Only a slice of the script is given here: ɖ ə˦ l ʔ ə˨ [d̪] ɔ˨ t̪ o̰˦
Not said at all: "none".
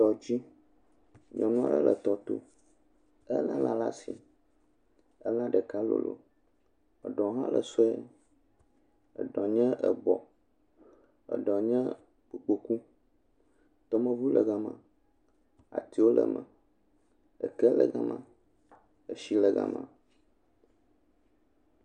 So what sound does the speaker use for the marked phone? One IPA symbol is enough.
t̪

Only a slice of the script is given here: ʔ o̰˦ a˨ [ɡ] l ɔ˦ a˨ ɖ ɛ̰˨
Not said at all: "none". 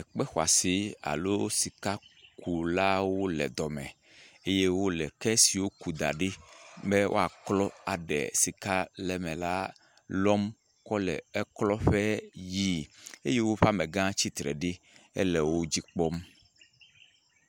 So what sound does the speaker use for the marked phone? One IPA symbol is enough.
k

